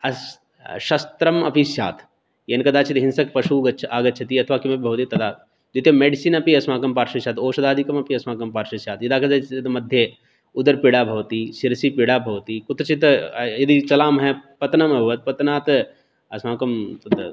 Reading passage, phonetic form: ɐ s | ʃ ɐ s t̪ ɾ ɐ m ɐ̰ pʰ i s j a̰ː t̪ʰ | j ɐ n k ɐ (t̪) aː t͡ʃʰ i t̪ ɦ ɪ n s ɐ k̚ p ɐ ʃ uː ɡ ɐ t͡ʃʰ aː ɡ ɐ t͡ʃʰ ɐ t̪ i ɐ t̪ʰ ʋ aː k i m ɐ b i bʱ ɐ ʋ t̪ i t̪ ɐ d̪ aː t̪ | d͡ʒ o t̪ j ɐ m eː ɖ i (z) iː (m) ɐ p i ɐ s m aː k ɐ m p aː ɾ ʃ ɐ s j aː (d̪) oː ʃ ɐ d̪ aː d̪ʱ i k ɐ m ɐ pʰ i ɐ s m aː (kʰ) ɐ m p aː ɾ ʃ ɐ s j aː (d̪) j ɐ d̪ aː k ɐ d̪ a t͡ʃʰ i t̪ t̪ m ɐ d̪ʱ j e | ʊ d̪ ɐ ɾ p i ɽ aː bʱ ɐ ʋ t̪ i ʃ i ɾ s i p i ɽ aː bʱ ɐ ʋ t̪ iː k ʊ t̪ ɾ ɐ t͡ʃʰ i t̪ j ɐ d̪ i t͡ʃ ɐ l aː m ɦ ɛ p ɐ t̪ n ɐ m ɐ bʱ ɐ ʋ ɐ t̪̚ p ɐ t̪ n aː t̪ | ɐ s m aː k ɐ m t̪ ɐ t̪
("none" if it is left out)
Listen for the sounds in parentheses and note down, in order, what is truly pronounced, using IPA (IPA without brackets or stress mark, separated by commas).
d̪, s, n, t̪, k, t̪